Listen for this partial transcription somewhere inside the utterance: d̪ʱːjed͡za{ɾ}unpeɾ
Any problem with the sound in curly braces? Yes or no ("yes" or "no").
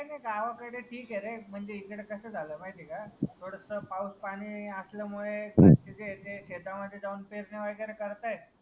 yes